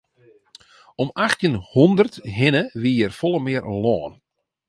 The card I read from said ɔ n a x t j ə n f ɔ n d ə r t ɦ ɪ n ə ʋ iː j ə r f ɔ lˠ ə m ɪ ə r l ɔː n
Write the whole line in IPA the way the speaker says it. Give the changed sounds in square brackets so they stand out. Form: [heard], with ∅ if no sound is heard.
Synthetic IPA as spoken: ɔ [m] a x t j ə n [h] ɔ n d ə r t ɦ ɪ n ə ʋ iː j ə r f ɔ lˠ ə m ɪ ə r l ɔː n